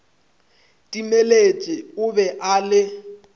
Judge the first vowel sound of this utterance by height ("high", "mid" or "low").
high